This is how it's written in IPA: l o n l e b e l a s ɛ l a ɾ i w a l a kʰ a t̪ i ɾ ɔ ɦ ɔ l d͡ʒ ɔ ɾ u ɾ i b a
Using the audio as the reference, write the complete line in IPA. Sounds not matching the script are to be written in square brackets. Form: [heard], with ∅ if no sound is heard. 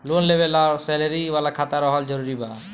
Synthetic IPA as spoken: l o n l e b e l a s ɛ l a ɾ i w a l a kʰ a t̪ [a] ɾ ɔ ɦ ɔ l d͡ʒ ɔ ɾ u ɾ i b a